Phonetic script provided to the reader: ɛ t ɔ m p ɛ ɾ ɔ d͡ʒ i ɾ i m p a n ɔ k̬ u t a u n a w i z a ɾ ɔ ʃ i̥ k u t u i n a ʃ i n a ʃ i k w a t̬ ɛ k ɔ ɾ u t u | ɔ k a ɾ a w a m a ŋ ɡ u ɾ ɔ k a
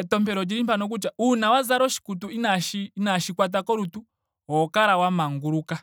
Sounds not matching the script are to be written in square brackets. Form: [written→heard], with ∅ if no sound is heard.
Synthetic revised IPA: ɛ t ɔ m p ɛ ɾ ɔ d͡ʒ i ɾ i m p a n ɔ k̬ u [t→t͡ʃ] a u n a w [i→a] z a ɾ ɔ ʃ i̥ k u t u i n a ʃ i n a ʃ i k w a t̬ [ɛ→a] k ɔ ɾ u t u | ɔ k a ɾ a w a m a ŋ ɡ u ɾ [ɔ→u] k a